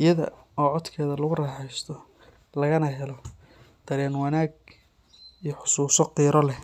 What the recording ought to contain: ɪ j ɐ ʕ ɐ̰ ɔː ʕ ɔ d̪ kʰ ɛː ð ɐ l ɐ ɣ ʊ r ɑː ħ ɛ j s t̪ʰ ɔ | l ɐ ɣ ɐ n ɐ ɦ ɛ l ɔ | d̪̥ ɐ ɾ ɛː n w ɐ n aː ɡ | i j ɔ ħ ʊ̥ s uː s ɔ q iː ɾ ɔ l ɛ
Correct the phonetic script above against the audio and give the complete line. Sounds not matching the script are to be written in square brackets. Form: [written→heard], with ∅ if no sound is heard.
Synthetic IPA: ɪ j ɐ [ʕ→ð] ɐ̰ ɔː ʕ ɔ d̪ kʰ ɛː ð ɐ l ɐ ɣ ʊ r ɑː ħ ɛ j s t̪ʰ ɔ | l ɐ ɣ ɐ n ɐ ɦ ɛ l ɔ | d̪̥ ɐ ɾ ɛː n w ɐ n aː ɡ | i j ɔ ħ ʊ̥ s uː s ɔ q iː ɾ ɔ l ɛ